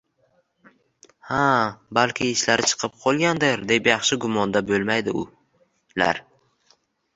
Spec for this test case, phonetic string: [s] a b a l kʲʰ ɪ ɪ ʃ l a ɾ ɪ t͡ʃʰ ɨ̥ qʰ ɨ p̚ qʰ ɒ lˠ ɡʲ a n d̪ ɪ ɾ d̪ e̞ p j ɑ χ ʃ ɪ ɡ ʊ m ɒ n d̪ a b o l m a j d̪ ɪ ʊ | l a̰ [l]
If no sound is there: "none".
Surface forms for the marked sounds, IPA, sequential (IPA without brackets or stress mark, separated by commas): h, ɾ